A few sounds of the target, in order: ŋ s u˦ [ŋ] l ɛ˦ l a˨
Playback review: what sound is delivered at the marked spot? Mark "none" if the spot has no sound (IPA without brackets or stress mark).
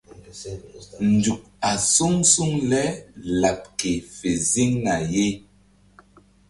ŋ